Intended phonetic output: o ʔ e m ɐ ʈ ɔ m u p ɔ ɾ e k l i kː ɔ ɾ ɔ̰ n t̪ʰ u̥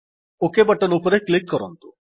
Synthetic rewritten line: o k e b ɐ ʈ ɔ n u p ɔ ɾ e k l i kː ɔ ɾ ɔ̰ n t̪ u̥